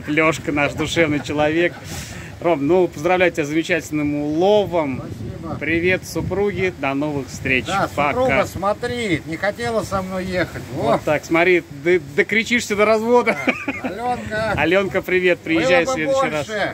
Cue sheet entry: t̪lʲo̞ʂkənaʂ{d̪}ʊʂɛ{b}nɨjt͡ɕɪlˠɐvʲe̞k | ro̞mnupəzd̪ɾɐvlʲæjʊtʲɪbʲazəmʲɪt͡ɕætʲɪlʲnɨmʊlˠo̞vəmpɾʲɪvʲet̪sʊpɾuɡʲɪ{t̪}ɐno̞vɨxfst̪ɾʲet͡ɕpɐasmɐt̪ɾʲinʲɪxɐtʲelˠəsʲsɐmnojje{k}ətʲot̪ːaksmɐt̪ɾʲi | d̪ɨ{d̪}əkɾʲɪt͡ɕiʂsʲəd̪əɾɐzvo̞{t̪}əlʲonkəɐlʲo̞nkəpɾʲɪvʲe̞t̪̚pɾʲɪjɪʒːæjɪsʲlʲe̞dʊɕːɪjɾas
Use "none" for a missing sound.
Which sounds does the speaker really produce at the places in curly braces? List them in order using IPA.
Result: d̪, v, d̪, x, d̪, d̪

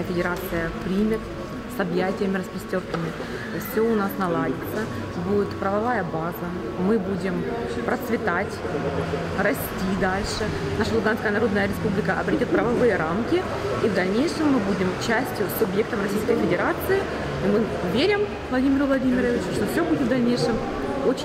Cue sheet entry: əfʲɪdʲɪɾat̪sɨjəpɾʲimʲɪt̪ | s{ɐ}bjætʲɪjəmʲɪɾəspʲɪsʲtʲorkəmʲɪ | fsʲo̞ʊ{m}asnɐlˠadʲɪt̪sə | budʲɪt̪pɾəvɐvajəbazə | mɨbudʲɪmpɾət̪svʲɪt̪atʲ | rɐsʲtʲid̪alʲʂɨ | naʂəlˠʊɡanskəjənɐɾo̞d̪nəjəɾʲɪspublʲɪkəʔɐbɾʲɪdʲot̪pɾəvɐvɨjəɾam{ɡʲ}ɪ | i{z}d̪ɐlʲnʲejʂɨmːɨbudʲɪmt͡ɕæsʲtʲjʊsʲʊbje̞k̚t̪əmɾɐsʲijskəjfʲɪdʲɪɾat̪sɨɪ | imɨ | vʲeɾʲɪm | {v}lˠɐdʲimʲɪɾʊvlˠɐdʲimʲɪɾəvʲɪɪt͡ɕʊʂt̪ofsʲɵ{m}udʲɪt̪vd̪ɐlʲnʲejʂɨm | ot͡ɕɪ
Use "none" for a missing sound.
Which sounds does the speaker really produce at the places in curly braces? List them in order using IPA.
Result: ɐ, n, kʲ, v, v, b

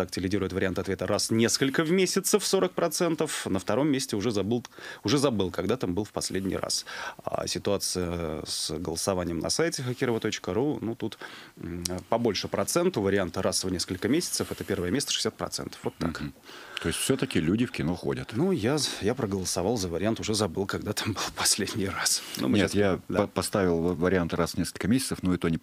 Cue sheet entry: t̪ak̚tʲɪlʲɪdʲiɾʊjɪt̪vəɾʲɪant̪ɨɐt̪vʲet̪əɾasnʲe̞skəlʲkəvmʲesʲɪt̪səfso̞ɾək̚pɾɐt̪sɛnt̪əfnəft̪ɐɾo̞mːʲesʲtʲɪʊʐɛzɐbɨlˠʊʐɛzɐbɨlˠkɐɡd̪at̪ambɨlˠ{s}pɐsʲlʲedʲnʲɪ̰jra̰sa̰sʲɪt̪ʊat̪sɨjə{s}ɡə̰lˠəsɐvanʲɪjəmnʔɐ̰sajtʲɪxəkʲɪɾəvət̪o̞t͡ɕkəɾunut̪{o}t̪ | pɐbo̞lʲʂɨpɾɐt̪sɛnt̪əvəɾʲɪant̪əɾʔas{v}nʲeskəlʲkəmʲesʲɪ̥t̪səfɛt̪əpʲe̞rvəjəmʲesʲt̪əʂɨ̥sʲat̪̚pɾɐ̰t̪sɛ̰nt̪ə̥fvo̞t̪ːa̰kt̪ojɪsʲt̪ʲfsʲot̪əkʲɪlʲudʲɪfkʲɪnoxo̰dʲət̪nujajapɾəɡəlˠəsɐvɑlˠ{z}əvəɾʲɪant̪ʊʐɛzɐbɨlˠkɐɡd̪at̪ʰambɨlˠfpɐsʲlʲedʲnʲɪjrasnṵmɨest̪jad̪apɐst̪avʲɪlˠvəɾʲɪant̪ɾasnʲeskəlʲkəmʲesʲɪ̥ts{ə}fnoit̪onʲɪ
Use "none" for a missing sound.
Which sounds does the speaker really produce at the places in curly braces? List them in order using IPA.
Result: f, s, u, v, z, ə

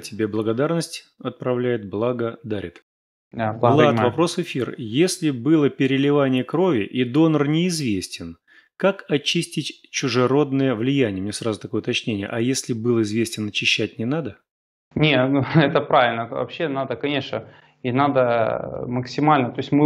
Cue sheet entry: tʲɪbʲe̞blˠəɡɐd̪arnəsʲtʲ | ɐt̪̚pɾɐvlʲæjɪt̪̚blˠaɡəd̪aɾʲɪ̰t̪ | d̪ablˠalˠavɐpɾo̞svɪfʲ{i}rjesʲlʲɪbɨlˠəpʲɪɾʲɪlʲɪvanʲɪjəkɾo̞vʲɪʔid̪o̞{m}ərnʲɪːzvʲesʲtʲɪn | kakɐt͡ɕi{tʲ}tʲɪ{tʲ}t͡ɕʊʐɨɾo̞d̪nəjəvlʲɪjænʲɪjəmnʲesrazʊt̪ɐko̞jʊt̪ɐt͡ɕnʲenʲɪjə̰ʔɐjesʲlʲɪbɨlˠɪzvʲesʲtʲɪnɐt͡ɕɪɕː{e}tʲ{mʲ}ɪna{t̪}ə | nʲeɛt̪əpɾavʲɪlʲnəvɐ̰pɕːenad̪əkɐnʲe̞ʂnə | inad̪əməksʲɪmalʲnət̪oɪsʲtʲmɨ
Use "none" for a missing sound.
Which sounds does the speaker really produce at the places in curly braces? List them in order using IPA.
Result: i, n, sʲ, tʲ, æ, nʲ, d̪

